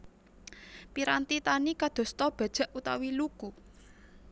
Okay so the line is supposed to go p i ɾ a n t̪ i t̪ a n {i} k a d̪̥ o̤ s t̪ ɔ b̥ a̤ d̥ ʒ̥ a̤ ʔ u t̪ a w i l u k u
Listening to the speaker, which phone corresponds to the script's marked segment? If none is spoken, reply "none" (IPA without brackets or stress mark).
i